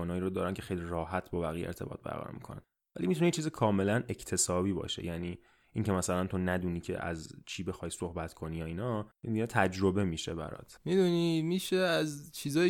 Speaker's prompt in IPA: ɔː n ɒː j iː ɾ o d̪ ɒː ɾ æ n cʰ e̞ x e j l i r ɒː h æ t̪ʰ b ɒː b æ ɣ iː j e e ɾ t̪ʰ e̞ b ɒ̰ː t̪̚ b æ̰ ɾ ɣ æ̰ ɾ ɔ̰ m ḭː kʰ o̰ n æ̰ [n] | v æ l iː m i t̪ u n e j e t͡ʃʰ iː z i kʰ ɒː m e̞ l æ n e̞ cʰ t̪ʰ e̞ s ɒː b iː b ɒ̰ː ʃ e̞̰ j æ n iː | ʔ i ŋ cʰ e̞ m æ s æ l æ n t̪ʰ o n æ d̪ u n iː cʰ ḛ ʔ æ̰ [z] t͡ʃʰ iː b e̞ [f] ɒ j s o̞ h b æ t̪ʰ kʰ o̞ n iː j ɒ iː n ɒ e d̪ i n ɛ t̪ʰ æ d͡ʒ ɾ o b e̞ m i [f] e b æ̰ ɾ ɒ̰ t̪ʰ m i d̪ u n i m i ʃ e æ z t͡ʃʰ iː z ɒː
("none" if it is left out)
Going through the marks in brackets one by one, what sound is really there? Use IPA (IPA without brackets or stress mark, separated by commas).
n, z, x, ʃ